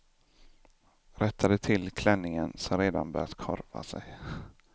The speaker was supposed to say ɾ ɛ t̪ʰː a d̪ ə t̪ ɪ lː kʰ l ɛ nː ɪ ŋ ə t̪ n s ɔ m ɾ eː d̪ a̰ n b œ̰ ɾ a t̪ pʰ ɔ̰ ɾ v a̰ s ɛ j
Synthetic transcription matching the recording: ɾ ɛ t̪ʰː a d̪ ə t̪ʰ ɪ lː kʰ l ɛ nː ɪ ŋ ə n s ɔ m ɾ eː d̪ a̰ n b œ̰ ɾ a t̪ kʰ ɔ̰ ɾ v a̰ s ɛ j